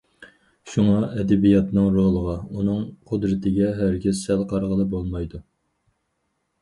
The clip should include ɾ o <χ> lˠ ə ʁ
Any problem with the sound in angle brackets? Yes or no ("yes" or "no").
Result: yes